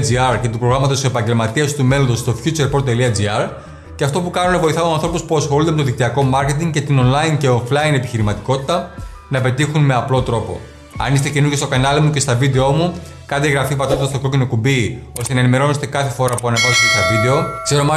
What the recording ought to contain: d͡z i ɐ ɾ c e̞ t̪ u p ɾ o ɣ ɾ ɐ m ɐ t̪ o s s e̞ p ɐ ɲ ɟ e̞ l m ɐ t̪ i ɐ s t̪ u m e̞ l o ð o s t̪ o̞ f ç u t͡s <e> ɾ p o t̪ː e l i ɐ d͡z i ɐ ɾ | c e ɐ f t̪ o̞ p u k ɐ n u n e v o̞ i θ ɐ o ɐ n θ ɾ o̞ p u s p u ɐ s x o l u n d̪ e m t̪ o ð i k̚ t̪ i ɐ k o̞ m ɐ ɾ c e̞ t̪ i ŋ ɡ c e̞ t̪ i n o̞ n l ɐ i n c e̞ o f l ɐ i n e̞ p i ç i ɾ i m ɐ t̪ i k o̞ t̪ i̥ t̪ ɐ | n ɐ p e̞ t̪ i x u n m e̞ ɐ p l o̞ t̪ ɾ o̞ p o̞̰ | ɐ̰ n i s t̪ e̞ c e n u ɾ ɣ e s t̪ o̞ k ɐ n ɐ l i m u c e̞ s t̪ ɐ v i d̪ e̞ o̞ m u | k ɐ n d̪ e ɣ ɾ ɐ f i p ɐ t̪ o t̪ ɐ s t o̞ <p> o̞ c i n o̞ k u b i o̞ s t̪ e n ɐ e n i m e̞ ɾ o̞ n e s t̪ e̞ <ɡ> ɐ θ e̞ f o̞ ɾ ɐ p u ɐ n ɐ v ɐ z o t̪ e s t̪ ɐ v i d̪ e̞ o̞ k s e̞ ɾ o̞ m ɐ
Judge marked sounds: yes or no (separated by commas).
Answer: yes, no, no